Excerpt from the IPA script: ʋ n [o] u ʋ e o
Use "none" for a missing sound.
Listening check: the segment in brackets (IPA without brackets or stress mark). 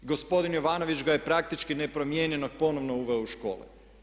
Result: o